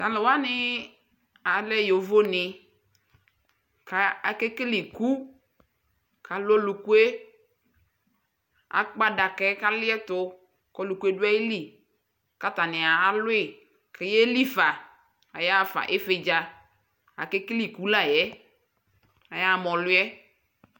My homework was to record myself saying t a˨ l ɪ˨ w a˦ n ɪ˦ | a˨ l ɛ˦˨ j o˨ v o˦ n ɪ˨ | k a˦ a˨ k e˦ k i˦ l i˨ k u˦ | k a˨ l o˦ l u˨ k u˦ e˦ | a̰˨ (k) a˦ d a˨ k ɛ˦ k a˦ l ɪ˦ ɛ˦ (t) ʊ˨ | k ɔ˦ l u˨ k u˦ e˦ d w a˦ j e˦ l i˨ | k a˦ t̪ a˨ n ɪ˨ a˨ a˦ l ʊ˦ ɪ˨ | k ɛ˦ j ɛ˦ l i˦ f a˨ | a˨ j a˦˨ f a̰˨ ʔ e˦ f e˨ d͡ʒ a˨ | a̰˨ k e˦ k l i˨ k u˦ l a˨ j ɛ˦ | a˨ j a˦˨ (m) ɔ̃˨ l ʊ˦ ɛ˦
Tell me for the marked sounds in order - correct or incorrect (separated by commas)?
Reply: incorrect, correct, correct